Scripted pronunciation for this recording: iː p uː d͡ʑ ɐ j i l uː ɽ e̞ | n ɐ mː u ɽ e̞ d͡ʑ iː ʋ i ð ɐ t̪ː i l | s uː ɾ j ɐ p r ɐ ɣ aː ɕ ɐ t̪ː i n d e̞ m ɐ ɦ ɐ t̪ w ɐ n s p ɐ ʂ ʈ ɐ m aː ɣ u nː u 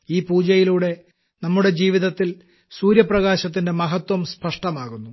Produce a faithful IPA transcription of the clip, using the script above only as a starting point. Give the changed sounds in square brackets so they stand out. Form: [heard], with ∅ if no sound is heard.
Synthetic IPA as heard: iː p uː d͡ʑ ɐ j i l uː ɽ e̞ | n ɐ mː u ɽ e̞ d͡ʑ iː ʋ i ð ɐ t̪ː i l | s uː ɾ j ɐ p r ɐ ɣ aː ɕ ɐ t̪ː i n d e̞ m ɐ ɦ ɐ t̪ w ɐ [m] s p ɐ ʂ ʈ ɐ m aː ɣ u nː u